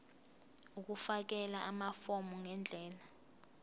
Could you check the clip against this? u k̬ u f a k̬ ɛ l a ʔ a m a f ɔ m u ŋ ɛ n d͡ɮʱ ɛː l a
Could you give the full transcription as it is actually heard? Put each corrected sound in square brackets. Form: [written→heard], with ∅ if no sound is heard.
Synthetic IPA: u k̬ u f a k̬ ɛ l a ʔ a m a f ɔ m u ŋ ɛ n d͡ɮʱ ɛː l a